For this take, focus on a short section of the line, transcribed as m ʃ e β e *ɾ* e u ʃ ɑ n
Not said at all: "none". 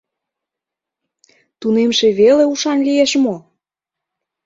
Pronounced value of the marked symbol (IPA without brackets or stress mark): l